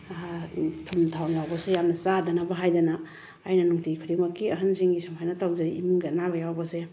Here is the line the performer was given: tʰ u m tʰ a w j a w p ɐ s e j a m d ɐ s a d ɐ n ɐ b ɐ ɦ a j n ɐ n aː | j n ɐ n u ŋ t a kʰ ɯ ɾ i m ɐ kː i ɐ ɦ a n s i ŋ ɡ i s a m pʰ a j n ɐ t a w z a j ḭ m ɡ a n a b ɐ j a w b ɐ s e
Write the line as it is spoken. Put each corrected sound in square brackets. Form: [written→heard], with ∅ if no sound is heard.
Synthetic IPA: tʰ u m tʰ a w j a w [p→b] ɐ s e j a m [d→n] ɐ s a d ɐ n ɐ b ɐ ɦ a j [n→d] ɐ n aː | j n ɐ n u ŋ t [a→i] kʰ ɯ ɾ i m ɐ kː i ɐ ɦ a n s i ŋ ɡ i s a m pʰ a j n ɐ t a w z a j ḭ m ɡ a n a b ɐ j a w b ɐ s e